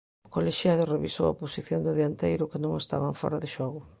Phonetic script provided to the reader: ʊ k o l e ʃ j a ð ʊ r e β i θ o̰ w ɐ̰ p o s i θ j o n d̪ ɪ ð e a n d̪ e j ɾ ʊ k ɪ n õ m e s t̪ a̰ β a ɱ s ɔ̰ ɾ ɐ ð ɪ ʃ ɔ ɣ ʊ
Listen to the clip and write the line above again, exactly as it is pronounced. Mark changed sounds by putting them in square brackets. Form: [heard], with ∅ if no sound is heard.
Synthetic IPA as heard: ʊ k o l e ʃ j a ð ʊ r e β i [s] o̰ w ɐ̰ p o s i θ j o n d̪ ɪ ð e a n [t̪] e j ɾ ʊ k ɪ n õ [ŋ] e s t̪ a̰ β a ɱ [f] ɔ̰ ɾ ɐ ð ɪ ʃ ɔ ɣ ʊ